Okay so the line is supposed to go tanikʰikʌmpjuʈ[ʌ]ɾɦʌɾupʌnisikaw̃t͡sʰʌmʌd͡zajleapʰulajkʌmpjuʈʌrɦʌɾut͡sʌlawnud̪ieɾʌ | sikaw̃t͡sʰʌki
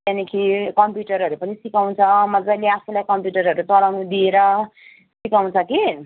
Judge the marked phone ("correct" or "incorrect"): correct